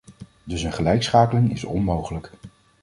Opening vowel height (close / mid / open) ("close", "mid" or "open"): mid